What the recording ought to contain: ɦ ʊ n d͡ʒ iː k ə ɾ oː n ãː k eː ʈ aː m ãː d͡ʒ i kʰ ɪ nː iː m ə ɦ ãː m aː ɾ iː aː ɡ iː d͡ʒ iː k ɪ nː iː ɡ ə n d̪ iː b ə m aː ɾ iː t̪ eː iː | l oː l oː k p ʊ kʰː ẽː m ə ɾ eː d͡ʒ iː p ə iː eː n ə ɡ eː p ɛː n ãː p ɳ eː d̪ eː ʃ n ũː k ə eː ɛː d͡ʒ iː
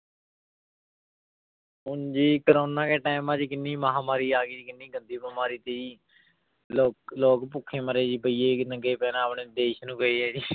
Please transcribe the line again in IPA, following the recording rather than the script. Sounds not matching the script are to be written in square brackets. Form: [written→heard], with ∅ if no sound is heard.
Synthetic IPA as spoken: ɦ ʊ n d͡ʒ iː k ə ɾ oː n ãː k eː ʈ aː m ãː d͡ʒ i [kʰ→k] ɪ nː iː m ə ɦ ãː m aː ɾ iː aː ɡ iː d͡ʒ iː k ɪ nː iː ɡ ə n d̪ iː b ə m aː ɾ iː t̪ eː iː | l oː l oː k p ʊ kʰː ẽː m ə ɾ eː d͡ʒ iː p ə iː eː n ə ɡ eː p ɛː n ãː p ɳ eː d̪ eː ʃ n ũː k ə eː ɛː d͡ʒ iː